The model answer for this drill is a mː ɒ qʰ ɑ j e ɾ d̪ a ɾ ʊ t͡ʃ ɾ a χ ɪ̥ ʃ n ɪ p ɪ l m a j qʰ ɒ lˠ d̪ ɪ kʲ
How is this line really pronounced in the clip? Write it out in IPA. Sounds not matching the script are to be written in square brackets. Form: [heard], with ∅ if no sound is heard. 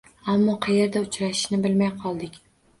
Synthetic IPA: a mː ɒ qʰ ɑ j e ɾ d̪ a [∅] ʊ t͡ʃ ɾ a [ʃ] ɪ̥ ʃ n ɪ [b] ɪ l m a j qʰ ɒ lˠ d̪ ɪ kʲ